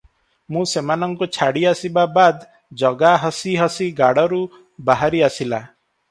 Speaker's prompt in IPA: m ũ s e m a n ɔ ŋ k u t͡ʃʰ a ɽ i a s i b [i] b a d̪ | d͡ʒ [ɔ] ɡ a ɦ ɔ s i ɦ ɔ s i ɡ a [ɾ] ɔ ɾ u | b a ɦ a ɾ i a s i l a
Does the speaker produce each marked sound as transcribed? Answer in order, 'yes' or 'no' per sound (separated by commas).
no, yes, no